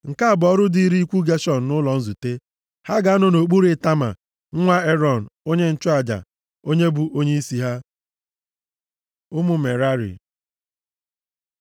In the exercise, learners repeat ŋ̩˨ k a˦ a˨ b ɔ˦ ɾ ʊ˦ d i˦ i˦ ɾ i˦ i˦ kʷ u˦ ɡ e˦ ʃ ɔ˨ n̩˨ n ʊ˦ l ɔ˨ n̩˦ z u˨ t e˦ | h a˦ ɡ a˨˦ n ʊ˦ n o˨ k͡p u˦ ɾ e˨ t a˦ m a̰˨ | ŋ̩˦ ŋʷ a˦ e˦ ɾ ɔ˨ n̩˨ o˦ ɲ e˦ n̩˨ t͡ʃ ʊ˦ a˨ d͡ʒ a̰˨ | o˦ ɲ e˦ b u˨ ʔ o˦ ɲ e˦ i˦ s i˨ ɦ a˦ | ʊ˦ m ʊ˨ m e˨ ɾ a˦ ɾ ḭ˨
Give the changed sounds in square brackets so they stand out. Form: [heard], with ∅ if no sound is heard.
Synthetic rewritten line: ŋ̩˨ k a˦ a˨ b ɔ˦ ɾ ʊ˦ d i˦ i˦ ɾ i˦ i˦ kʷ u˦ ɡ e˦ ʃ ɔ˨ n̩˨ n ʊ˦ l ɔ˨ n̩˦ z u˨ t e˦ | h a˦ ɡ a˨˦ n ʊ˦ n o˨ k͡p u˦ ɾ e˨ t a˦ m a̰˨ | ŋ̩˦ ŋʷ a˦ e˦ ɾ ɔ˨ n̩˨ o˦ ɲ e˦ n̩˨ t͡ʃ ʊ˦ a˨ d͡ʒ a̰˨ | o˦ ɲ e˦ b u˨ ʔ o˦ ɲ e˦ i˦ s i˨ ɦ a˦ | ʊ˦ m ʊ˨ m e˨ ɾ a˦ ɾ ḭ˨

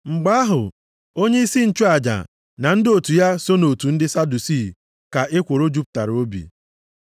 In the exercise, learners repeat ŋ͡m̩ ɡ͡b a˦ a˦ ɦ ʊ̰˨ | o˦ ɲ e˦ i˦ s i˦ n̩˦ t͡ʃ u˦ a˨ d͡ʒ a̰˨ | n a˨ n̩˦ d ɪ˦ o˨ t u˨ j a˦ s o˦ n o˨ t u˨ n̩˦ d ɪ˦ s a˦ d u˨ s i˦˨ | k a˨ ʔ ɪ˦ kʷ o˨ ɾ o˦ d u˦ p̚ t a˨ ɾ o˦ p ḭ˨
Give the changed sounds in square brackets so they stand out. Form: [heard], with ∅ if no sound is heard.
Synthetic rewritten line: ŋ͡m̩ ɡ͡b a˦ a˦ ɦ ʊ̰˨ | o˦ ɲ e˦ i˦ s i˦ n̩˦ t͡ʃ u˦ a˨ d͡ʒ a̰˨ | n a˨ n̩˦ d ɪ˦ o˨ t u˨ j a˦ s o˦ n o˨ t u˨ n̩˦ d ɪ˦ s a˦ d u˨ s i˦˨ | k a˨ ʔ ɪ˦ kʷ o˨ ɾ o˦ [d͡ʒ] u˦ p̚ t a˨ ɾ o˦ [b] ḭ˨

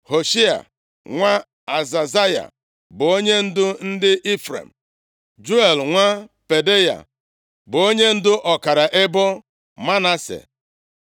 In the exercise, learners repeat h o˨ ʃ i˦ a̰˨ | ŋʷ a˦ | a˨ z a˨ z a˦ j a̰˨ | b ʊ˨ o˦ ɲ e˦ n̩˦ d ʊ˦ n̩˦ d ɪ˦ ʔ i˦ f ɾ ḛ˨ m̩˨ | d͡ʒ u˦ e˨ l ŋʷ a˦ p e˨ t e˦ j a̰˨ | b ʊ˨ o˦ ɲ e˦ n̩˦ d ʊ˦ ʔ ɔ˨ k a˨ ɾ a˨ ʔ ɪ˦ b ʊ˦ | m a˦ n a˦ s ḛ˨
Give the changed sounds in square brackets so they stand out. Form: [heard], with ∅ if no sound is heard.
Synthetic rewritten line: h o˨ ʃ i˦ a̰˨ | ŋʷ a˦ | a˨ z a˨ z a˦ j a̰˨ | b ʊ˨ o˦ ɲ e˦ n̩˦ d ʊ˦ n̩˦ d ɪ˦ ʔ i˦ f ɾ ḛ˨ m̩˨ | d͡ʒ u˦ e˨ l ŋʷ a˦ p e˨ [d] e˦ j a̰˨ | b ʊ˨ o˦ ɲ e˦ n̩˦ d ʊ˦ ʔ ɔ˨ k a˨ ɾ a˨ ʔ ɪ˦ b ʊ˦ | m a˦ n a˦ s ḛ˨

